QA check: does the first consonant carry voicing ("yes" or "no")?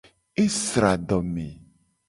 no